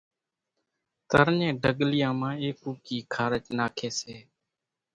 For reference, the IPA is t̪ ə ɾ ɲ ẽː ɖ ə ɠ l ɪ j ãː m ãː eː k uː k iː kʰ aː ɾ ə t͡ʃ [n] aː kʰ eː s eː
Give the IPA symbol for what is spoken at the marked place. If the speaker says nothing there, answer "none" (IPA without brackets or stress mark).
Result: n